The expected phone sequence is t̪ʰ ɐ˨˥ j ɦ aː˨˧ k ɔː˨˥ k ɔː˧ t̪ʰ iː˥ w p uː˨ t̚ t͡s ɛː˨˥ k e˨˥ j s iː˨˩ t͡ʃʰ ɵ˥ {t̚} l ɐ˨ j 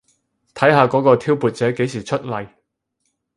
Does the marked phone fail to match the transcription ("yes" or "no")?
no